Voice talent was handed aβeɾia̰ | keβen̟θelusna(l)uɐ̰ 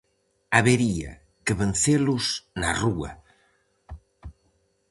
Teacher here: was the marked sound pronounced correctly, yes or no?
no